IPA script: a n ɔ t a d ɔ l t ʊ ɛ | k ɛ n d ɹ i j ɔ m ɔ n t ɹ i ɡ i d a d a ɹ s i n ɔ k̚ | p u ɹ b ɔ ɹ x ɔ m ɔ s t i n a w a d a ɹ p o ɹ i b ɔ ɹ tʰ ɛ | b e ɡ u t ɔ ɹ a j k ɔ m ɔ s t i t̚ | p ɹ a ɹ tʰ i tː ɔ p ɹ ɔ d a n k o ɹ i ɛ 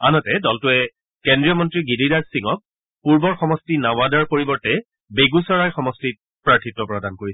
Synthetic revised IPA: a n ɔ t ɛ d ɔ l t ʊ ɛ | k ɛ n d ɹ i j ɔ m ɔ n t ɹ i ɡ i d i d a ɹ s i ŋ ɔ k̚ | p u ɹ b ɔ ɹ x ɔ m ɔ s t i n a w a d a ɹ p o ɹ i b ɔ ɹ t ɛ | b e ɡ u s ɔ ɹ a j x ɔ m ɔ s t i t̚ | p ɹ a ɹ tʰ i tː ɔ p ɹ ɔ d a n k o ɹ i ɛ